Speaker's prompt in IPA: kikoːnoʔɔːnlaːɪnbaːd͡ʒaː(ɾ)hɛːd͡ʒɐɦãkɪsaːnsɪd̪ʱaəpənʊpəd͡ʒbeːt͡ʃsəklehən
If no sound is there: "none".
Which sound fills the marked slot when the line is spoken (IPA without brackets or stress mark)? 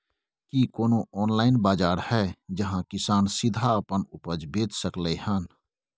ɾ